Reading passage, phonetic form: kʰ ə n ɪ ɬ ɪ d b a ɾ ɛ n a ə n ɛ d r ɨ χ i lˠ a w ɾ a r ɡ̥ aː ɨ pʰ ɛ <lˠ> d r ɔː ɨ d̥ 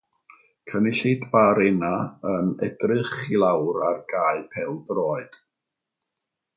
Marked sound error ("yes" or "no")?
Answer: no